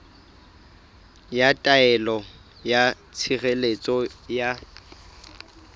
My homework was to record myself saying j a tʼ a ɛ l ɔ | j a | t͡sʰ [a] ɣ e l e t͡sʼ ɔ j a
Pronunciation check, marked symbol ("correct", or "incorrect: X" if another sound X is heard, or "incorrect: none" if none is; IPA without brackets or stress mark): incorrect: i